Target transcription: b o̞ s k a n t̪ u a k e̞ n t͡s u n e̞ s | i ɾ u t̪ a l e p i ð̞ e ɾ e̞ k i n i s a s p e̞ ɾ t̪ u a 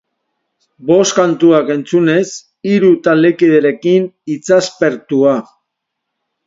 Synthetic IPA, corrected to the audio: b o̞ s k a n t̪ u a k e̞ n t͡s u n e̞ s | i ɾ u t̪ a l e k i ð̞ e ɾ e̞ k i n i t͡s a s p e̞ ɾ t̪ u a